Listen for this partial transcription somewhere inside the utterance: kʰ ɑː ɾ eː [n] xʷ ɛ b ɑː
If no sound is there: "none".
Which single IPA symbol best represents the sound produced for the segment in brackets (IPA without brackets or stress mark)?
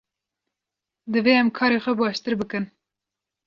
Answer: none